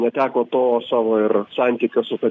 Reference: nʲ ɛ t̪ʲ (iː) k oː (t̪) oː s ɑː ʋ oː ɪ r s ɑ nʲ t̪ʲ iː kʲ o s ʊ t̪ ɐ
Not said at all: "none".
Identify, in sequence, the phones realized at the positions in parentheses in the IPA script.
æː, t̪

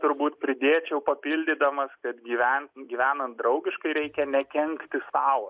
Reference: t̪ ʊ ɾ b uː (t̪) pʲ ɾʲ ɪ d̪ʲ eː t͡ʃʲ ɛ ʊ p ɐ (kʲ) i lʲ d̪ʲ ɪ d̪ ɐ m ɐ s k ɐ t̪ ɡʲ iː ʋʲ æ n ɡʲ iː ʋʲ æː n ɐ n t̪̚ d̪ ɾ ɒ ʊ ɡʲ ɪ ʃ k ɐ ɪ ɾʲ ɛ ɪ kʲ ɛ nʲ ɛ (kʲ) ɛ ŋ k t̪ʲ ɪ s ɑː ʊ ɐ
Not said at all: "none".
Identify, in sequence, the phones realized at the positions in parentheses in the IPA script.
t̪, pʲ, kʲ

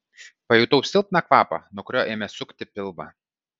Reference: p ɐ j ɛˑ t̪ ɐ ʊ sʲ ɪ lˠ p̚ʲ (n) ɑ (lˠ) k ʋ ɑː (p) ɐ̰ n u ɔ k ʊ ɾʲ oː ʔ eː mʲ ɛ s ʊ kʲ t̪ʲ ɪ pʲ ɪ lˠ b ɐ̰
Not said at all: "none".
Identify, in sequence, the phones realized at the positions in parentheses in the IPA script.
n, none, p

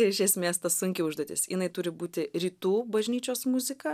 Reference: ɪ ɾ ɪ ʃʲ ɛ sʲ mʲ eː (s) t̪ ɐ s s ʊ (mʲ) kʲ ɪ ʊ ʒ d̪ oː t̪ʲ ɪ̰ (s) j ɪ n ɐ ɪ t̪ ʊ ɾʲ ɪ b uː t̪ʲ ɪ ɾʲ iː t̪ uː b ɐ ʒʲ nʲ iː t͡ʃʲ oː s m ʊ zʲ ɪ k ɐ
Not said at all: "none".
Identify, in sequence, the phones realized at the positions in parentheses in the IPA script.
s, ŋʲ, s

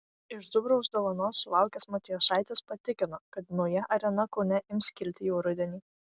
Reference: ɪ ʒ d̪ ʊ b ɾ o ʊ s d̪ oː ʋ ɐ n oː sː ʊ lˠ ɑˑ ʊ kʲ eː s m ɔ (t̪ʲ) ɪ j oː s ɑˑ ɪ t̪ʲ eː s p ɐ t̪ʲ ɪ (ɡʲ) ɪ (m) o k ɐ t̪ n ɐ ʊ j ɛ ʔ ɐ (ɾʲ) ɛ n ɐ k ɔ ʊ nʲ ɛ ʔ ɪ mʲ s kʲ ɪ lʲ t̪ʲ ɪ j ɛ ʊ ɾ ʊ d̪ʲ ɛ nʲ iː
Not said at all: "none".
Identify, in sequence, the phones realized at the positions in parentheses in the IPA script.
t̪ʲ, kʲ, n, ɾʲ

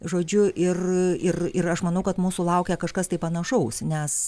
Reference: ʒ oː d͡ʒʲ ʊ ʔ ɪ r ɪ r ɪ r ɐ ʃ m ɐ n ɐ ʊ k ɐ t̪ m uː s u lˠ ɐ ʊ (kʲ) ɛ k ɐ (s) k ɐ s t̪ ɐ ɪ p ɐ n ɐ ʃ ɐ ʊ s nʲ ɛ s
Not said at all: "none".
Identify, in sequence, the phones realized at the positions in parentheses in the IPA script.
kʲ, ʃ

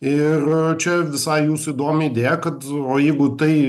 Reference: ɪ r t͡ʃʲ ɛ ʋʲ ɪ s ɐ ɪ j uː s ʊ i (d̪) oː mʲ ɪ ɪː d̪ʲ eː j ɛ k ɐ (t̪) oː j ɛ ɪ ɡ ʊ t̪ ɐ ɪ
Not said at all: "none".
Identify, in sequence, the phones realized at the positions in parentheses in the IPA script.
d̪, t̪

